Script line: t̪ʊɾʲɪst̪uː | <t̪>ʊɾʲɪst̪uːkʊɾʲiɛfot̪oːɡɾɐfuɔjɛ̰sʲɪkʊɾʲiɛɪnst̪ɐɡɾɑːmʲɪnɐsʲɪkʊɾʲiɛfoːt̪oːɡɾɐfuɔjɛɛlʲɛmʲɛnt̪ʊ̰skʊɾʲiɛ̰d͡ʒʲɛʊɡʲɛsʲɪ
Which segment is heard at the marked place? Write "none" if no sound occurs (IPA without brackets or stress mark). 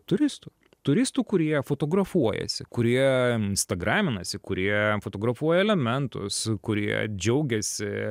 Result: t̪